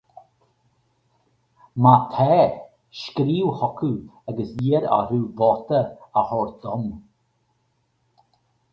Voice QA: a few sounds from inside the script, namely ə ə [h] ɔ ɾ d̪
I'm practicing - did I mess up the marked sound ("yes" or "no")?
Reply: no